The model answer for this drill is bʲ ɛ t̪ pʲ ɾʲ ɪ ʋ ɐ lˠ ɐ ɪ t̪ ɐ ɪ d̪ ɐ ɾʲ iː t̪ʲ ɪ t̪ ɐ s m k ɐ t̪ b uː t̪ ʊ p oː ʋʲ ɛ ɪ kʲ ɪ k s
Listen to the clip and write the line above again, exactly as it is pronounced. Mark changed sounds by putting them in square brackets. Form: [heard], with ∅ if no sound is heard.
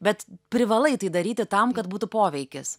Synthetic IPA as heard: bʲ ɛ t̪ pʲ ɾʲ ɪ ʋ ɐ lˠ ɐ ɪ t̪ ɐ ɪ d̪ ɐ ɾʲ iː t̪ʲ ɪ t̪ ɐ [∅] m k ɐ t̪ b uː t̪ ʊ p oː ʋʲ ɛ ɪ kʲ ɪ [∅] s